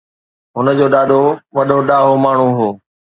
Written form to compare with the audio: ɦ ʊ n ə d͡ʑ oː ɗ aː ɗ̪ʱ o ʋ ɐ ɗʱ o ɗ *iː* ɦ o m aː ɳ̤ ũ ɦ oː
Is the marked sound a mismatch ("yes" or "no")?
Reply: yes